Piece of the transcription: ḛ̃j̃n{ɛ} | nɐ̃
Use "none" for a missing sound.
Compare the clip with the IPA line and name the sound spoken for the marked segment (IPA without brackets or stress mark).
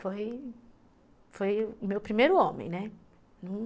ɛ